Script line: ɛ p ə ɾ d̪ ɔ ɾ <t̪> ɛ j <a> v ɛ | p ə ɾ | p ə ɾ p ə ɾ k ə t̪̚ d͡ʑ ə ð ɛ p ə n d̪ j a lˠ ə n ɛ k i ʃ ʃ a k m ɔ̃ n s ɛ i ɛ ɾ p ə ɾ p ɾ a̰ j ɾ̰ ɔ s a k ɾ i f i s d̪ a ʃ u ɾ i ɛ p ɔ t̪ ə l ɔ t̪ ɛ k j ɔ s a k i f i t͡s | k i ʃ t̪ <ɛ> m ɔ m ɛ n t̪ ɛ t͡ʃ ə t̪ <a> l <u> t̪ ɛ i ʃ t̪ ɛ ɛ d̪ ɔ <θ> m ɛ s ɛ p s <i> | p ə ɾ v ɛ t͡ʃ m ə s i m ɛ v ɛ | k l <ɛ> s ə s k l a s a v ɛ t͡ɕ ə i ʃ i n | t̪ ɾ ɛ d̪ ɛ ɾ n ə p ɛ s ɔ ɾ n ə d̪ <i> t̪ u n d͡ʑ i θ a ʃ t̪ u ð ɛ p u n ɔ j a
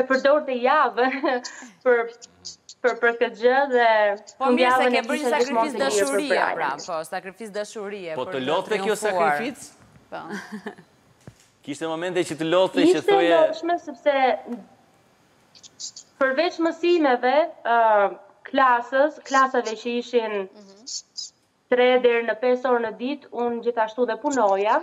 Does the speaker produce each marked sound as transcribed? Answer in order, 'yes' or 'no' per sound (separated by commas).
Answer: yes, yes, yes, no, no, no, no, no, yes